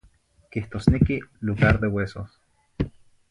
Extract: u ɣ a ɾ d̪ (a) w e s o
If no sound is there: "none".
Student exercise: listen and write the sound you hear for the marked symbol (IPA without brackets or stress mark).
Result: e